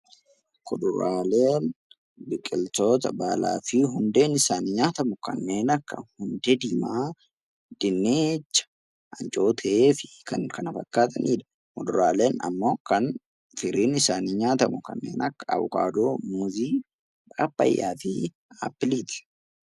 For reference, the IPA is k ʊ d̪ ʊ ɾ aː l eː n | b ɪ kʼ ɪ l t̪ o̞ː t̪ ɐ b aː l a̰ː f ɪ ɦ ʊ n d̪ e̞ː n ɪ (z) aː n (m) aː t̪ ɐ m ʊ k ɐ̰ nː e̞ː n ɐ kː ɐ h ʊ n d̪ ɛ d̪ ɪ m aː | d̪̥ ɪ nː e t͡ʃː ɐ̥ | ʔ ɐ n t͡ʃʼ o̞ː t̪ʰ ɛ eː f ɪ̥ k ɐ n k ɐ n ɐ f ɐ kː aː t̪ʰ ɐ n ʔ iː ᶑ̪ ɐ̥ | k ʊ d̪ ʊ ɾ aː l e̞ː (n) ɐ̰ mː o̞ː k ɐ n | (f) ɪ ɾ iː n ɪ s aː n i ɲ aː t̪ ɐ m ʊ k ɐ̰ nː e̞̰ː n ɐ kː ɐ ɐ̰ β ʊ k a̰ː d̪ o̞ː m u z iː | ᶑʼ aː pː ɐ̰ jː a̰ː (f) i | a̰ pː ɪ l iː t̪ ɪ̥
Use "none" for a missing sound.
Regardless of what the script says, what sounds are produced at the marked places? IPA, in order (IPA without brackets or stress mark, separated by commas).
s, ɲ, n, f, f